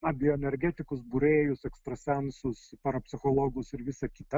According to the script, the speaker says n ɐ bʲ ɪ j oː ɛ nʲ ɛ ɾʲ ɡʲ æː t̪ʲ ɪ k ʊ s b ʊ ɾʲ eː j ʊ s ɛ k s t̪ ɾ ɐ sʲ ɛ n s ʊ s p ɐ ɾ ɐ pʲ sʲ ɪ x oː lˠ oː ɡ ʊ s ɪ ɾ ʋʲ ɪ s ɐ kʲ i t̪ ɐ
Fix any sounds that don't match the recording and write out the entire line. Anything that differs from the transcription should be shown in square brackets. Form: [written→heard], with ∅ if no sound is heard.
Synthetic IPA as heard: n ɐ bʲ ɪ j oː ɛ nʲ ɛ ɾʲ ɡʲ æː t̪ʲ ɪ k ʊ s b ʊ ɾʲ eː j ʊ s ɛ k s t̪ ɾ ɐ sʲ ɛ n s ʊ s p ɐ ɾ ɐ pʲ sʲ ɪ x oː lˠ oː ɡ ʊ s ɪ ɾ ʋʲ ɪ s ɐ kʲ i t̪ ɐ

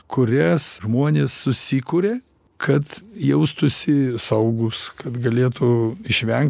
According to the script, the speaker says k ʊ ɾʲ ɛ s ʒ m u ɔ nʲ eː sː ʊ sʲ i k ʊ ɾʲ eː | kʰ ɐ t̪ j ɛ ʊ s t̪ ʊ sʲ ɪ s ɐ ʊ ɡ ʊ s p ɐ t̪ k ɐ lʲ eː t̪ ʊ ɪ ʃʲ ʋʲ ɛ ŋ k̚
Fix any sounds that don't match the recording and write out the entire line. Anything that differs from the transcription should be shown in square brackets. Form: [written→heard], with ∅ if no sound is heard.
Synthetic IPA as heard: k ʊ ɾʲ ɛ s ʒ m u ɔ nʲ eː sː ʊ sʲ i k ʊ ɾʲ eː | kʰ ɐ t̪ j ɛ ʊ s t̪ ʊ sʲ ɪ s ɐ ʊ ɡ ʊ s [p→k] ɐ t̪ [k→ɡ] ɐ lʲ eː t̪ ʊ ɪ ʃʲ ʋʲ ɛ ŋ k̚

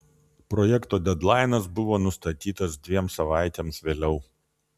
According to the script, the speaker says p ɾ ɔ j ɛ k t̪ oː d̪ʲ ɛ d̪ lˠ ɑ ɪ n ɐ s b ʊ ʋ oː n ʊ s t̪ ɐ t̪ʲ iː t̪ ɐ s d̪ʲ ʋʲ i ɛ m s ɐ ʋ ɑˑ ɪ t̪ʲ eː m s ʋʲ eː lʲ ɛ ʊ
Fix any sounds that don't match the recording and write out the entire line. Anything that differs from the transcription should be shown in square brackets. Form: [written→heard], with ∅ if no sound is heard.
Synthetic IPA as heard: p ɾ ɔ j ɛ k t̪ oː d̪ʲ ɛ d̪ lˠ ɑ ɪ n ɐ s b ʊ ʋ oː n ʊ s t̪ ɐ t̪ʲ iː t̪ ɐ s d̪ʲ ʋʲ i ɛ m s ɐ ʋ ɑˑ ɪ t̪ʲ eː m s ʋʲ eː lʲ ɛ ʊ

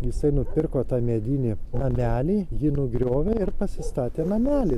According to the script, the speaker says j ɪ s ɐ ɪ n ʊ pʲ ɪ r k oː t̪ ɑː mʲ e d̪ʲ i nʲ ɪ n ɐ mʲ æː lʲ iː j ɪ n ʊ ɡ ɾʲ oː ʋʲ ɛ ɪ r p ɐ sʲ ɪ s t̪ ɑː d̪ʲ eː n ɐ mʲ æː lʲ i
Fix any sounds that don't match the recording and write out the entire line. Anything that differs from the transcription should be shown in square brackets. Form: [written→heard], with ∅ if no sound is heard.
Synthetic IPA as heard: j ɪ s ɐ ɪ n ʊ pʲ ɪ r k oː t̪ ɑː mʲ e d̪ʲ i nʲ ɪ n ɐ mʲ æː lʲ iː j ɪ n ʊ ɡ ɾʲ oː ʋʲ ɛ ɪ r p ɐ sʲ ɪ s t̪ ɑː [d̪ʲ→t̪ʲ] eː n ɐ mʲ æː lʲ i

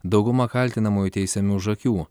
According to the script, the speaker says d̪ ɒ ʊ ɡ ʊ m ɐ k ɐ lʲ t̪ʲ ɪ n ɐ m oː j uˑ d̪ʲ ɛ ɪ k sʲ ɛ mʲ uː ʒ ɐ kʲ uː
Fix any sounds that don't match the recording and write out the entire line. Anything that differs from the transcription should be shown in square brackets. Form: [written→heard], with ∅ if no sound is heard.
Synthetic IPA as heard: d̪ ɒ ʊ ɡ ʊ m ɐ k ɐ lʲ t̪ʲ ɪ n ɐ m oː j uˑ [d̪ʲ→t̪ʲ] ɛ ɪ [k→∅] sʲ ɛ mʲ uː ʒ ɐ kʲ uː

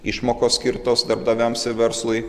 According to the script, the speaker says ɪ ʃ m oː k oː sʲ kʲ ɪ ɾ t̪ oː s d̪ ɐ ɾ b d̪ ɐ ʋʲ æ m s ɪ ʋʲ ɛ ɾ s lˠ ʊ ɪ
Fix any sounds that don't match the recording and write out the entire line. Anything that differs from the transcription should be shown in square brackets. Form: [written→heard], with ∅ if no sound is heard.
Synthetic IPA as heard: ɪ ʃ m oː k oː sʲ kʲ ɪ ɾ t̪ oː s d̪ ɐ ɾ b d̪ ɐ ʋʲ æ m s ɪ ʋʲ ɛ ɾ s lˠ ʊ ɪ

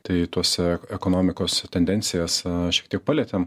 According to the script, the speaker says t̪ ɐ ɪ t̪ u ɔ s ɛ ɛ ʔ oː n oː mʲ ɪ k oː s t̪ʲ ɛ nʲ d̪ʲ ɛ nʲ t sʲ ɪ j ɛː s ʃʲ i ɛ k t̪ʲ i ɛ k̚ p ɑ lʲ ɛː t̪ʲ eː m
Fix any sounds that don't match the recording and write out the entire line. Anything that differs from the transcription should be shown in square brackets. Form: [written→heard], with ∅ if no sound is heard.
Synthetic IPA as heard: t̪ ɐ ɪ t̪ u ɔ s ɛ ɛ [ʔ→k] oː n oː mʲ ɪ k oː s t̪ʲ ɛ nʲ d̪ʲ ɛ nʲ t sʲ ɪ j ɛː s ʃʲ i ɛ k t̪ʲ i ɛ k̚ p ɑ lʲ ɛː t̪ʲ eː m

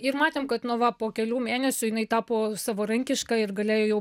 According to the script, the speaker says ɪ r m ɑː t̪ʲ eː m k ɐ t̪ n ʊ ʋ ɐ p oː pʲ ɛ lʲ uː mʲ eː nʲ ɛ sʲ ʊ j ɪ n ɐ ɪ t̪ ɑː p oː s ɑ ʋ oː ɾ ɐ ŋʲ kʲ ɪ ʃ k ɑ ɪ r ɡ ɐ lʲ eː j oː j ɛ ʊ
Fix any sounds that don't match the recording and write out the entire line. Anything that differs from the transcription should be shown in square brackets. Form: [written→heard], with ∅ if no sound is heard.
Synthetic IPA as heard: ɪ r m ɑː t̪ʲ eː m k ɐ t̪ n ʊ ʋ ɐ p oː [pʲ→kʲ] ɛ lʲ uː mʲ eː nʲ ɛ sʲ ʊ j ɪ n ɐ ɪ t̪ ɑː p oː s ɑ ʋ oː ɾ ɐ ŋʲ kʲ ɪ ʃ k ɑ ɪ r ɡ ɐ lʲ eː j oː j ɛ ʊ

